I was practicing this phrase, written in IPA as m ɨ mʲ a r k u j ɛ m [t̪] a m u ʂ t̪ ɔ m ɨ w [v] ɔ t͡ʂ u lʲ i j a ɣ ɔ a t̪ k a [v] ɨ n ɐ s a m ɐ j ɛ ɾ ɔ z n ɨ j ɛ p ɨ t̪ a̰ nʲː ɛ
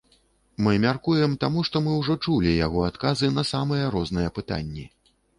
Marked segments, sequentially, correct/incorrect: correct, incorrect: ʐ, incorrect: z

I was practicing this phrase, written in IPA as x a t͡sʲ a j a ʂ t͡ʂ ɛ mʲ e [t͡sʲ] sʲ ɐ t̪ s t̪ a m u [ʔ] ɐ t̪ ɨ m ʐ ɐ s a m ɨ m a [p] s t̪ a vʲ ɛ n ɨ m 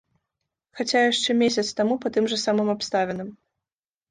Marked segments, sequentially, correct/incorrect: incorrect: none, incorrect: p, correct

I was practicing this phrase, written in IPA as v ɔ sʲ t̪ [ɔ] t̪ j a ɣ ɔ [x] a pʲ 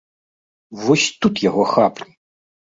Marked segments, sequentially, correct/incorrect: incorrect: u, correct

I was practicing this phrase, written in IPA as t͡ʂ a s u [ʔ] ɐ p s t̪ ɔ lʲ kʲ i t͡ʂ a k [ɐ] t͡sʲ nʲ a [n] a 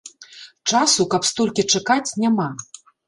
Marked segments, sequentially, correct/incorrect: incorrect: k, incorrect: a, incorrect: m

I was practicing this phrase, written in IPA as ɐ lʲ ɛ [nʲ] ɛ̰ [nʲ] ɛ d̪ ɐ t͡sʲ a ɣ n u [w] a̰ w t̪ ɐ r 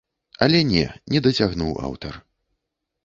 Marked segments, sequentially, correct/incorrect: correct, correct, correct

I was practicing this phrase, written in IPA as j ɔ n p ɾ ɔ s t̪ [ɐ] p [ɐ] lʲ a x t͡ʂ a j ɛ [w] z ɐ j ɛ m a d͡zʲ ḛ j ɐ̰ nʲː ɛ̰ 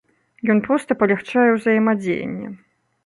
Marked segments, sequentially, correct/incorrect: correct, correct, correct

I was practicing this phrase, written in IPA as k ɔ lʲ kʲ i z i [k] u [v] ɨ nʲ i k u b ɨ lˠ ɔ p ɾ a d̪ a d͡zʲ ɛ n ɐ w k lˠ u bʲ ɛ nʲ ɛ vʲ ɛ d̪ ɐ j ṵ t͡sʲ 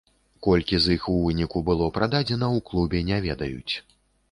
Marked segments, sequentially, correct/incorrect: incorrect: x, correct

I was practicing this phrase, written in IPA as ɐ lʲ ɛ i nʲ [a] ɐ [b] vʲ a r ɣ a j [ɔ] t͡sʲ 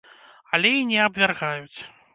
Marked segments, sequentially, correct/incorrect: incorrect: ɛ, correct, incorrect: u

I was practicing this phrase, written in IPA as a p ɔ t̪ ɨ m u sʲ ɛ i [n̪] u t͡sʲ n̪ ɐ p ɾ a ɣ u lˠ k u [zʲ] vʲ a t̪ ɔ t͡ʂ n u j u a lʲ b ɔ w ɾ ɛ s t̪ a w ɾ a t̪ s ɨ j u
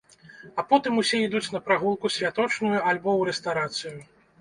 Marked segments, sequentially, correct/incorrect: incorrect: d̪, incorrect: sʲ

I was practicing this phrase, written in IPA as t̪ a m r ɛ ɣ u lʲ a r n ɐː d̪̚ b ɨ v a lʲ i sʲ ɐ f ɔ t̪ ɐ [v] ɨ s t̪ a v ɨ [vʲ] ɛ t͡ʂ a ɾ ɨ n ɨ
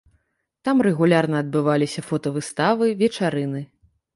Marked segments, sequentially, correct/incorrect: correct, correct

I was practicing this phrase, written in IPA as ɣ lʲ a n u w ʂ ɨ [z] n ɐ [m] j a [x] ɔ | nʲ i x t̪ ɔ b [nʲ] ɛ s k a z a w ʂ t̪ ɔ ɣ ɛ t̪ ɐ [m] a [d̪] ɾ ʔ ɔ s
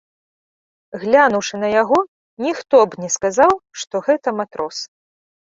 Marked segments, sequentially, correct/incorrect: incorrect: none, incorrect: none, incorrect: ɣ, correct, correct, incorrect: t̪

